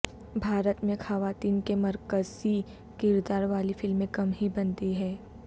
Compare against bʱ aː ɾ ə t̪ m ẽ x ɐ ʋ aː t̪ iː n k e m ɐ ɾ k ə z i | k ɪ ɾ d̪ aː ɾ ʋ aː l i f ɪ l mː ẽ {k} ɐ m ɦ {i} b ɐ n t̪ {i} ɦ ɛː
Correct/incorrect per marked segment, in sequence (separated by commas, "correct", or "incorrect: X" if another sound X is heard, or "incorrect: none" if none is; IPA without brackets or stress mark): correct, correct, correct